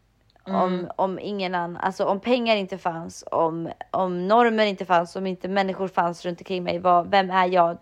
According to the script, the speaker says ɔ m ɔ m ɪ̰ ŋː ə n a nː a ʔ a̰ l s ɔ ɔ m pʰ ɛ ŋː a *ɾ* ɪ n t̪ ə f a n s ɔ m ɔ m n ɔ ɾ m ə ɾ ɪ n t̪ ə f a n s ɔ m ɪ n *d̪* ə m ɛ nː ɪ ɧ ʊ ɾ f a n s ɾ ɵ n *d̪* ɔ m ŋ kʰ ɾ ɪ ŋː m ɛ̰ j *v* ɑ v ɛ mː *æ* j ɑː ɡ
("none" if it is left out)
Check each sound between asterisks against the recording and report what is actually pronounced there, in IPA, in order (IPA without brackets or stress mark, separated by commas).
ɾ, t̪, t̪, v, æ